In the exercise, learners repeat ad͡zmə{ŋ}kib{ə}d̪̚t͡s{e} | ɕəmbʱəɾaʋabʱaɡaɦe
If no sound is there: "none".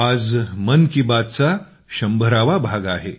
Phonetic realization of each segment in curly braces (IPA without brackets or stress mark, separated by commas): n, a, a